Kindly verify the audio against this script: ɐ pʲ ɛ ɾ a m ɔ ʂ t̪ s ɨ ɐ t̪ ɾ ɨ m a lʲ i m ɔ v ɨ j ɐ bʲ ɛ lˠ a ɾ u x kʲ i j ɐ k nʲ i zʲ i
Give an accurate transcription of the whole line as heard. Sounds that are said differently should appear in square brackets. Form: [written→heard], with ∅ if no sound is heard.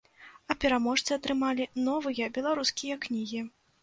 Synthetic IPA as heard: ɐ pʲ ɛ ɾ a m ɔ ʂ t̪ s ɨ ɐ t̪ ɾ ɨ m a lʲ i [m→n] ɔ v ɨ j ɐ bʲ ɛ lˠ a ɾ u [x→s] kʲ i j ɐ k nʲ i [zʲ→ɣʲ] i